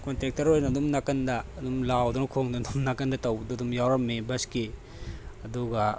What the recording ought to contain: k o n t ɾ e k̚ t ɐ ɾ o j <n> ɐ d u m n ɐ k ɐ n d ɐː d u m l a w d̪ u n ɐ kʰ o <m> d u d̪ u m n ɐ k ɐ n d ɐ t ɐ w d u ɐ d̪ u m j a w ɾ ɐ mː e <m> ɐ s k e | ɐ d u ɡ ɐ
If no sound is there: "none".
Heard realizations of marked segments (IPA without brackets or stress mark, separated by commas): n, ŋ, b